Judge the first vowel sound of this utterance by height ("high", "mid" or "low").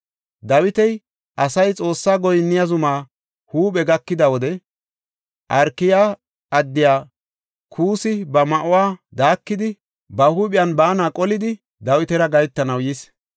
low